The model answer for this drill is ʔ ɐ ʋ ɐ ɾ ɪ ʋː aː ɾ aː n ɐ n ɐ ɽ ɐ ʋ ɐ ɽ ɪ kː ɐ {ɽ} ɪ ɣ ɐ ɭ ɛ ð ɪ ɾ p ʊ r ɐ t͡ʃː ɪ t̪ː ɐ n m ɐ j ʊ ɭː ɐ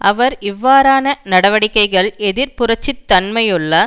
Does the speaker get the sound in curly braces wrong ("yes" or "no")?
yes